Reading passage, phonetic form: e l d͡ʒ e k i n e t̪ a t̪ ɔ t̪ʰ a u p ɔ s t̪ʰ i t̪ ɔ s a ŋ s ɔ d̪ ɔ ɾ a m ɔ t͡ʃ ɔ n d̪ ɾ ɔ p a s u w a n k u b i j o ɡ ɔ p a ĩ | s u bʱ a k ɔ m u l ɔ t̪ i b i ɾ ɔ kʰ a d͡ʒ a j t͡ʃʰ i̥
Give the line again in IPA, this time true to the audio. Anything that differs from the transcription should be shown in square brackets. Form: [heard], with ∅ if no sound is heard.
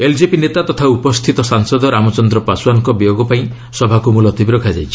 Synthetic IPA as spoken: e l d͡ʒ e [p] i n e t̪ a t̪ ɔ t̪ʰ a u p ɔ s t̪ʰ i t̪ ɔ s a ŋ s ɔ d̪ ɔ ɾ a m ɔ t͡ʃ ɔ n d̪ ɾ ɔ p a s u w a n k [ɔ] b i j o ɡ ɔ p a ĩ | s [ɔ] bʱ a k [u] m u l ɔ t̪ i b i ɾ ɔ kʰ a d͡ʒ a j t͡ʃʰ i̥